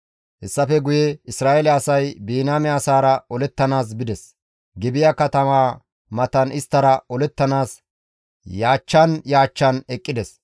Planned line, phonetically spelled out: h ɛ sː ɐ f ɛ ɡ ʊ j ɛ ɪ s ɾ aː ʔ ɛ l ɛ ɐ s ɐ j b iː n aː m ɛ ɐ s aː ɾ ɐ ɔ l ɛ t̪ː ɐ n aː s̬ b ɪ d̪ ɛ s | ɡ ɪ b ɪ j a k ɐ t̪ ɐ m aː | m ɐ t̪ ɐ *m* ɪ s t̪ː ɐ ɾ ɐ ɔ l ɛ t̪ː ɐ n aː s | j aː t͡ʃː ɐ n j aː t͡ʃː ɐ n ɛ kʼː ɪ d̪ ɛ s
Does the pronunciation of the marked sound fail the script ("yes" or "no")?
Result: yes